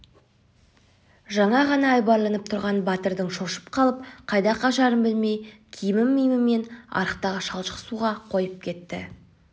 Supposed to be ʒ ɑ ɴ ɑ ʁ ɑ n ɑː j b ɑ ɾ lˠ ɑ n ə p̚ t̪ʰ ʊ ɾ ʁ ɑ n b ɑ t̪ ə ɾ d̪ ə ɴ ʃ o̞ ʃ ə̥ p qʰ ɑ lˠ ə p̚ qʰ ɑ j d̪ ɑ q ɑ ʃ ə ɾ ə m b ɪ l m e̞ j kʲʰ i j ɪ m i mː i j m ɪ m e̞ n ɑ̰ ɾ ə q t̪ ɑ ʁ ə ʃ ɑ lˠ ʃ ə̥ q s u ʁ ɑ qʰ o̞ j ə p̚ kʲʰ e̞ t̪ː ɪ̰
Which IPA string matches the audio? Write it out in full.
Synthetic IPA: ʒ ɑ ɴ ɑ ʁ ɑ n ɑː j b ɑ ɾ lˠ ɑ n ə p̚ t̪ʰ ʊ ɾ ʁ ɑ n b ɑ t̪ ə ɾ d̪ ə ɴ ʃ o̞ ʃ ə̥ p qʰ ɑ lˠ ə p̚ qʰ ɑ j d̪ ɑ q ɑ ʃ ɑ ɾ ə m b ɪ l m e̞ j kʲʰ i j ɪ m ɪ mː i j m ɪ m e̞ n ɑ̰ ɾ ə q t̪ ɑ ʁ ə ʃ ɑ lˠ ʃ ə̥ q s u ʁ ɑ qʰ o̞ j ə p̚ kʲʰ e̞ t̪ː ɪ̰